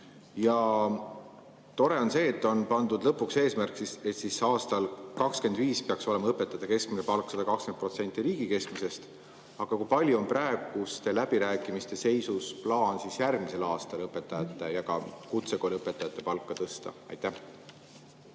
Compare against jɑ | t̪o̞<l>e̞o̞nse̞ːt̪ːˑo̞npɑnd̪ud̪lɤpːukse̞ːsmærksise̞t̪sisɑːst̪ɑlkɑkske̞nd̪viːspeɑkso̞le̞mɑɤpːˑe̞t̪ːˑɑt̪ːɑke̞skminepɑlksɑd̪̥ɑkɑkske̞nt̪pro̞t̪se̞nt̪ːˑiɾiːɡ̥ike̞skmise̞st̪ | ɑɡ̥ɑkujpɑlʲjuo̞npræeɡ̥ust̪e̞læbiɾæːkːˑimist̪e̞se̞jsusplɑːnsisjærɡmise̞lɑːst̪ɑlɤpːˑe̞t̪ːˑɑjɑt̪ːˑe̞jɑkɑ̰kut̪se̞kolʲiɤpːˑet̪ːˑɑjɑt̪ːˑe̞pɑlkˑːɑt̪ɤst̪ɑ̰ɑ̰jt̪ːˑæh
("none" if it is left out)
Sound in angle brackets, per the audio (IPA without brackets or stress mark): ɾ